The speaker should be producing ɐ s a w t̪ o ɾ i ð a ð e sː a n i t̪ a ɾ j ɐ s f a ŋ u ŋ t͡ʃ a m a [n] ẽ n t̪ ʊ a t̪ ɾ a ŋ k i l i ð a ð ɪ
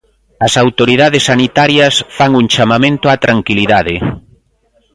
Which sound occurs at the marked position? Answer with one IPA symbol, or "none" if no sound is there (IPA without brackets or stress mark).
m